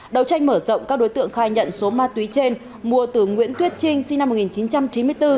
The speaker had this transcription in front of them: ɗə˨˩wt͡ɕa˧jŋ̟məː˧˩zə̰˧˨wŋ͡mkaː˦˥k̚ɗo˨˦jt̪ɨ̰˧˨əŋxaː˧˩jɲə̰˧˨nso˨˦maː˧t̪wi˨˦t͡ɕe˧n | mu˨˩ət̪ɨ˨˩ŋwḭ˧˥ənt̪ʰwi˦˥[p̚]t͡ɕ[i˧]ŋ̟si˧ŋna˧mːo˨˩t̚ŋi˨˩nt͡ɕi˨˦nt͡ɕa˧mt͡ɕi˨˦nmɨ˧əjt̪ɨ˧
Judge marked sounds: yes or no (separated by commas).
no, yes